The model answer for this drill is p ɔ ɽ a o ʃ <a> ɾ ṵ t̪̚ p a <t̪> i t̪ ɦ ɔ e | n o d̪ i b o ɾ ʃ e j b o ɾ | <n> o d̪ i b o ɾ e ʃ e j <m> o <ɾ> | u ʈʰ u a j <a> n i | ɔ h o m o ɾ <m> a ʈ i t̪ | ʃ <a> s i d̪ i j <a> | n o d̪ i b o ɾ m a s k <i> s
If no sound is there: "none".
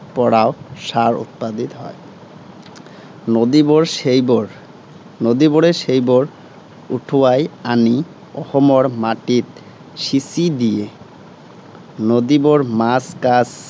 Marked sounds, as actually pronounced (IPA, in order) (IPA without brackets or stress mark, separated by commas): a, d̪, n, b, ɾ, a, m, i, e, a